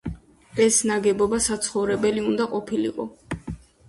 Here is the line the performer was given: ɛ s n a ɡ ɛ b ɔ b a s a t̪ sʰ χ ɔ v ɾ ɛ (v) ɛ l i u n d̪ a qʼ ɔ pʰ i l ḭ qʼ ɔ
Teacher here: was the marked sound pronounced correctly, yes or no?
no